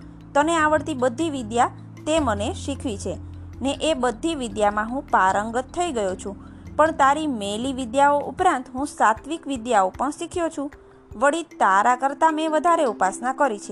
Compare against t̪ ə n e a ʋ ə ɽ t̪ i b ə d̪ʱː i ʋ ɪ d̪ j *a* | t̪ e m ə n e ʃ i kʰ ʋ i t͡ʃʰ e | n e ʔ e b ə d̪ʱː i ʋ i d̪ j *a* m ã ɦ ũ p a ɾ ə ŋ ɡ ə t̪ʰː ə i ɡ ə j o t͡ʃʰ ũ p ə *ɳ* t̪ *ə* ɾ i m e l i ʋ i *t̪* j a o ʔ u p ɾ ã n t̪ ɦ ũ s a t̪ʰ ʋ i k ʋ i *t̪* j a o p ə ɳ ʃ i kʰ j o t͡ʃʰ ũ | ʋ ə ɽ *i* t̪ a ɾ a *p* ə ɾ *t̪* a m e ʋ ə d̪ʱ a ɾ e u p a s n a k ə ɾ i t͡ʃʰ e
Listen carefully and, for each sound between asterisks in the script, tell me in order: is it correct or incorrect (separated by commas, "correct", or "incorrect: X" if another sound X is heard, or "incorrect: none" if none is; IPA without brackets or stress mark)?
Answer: correct, correct, correct, incorrect: a, incorrect: d̪, incorrect: d̪, correct, incorrect: k, correct